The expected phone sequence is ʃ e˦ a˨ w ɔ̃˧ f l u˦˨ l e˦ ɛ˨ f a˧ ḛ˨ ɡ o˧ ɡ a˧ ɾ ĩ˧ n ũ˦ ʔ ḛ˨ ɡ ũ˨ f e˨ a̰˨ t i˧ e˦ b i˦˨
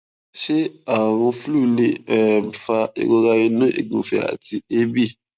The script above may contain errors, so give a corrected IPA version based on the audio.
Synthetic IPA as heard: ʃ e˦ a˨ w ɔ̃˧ f l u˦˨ l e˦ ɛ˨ f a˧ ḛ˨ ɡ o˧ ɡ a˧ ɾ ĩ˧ n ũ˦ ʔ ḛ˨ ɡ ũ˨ f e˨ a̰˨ t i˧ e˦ b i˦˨